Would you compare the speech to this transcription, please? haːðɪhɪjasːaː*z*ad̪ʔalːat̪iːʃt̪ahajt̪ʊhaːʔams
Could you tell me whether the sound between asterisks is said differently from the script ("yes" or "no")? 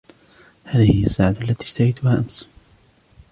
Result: yes